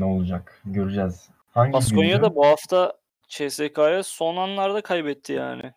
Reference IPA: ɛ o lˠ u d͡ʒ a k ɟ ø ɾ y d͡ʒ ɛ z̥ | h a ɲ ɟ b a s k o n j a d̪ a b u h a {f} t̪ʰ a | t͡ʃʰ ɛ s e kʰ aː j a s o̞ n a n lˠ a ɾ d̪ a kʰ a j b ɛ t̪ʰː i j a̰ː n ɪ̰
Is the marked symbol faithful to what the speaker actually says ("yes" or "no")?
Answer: yes